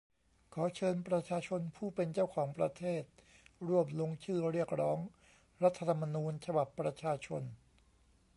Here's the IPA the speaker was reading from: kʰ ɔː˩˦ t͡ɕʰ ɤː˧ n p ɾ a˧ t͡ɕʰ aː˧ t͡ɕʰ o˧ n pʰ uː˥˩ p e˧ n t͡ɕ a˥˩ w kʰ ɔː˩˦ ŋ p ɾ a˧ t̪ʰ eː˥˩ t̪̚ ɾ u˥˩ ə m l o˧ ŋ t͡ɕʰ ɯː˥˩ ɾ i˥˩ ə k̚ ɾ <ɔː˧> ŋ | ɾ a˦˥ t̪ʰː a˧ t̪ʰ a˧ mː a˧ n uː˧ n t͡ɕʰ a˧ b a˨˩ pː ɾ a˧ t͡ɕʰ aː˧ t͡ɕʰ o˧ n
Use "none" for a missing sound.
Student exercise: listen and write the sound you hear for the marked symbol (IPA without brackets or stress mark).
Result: ɔː˦˥